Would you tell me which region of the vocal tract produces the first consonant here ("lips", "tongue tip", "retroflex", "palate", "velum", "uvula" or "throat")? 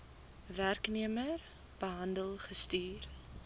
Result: lips